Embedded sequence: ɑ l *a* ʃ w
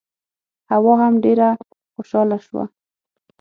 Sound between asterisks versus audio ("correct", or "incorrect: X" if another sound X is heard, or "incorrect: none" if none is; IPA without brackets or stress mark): correct